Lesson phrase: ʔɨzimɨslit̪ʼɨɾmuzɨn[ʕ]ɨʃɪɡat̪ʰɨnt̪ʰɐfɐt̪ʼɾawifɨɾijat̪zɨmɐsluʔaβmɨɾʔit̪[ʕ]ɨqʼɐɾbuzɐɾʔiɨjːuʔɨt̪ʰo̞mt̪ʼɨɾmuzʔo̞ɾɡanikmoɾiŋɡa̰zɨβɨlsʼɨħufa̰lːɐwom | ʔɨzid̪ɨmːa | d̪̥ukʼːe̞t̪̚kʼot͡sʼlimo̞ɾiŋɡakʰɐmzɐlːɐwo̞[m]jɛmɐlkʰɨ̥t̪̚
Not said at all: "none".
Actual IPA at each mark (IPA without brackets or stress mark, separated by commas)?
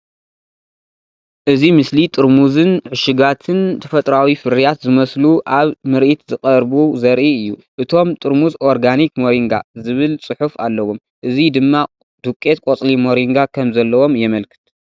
ʕ, z, m